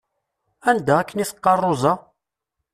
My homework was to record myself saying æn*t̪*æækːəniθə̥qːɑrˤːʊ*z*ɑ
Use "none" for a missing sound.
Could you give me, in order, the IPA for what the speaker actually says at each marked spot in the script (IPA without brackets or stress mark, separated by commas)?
d̪, z